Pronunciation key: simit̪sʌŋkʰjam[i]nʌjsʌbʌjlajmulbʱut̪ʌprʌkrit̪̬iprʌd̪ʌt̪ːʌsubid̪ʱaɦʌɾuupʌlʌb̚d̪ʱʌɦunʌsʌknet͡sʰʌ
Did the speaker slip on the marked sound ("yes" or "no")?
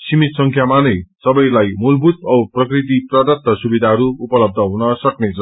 yes